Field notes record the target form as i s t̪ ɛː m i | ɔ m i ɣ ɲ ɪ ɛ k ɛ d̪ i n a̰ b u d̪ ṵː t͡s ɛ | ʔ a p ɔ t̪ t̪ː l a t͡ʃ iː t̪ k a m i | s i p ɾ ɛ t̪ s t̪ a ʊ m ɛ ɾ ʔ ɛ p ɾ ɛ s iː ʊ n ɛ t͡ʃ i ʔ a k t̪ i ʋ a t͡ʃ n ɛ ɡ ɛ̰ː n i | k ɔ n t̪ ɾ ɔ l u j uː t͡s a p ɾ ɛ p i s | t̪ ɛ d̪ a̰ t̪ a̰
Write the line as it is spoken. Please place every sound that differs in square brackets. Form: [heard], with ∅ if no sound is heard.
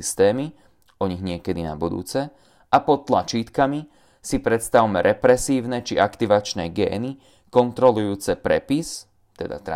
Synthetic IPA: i s t̪ ɛː m i | ɔ [ɲ] i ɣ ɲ ɪ ɛ k ɛ d̪ i n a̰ b u d̪ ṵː t͡s ɛ | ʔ a p ɔ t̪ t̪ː l a t͡ʃ iː t̪ k a m i | s i p ɾ ɛ t̪ s t̪ a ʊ m ɛ ɾ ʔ ɛ p ɾ ɛ s iː ʊ n ɛ t͡ʃ i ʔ a k t̪ i ʋ a t͡ʃ n ɛ ɡ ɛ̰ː n i | k ɔ n t̪ ɾ ɔ l u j uː t͡s [ɛ] p ɾ ɛ p i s | t̪ ɛ d̪ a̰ t̪ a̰